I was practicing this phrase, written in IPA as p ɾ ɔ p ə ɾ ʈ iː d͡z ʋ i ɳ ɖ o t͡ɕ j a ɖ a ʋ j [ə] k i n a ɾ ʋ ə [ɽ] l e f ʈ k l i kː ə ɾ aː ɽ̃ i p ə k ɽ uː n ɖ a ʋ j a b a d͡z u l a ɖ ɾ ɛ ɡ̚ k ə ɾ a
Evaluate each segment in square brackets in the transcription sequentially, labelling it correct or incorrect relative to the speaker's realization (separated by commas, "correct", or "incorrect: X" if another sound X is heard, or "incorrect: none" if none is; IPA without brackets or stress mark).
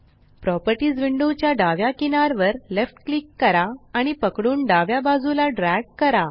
incorrect: a, incorrect: ɾ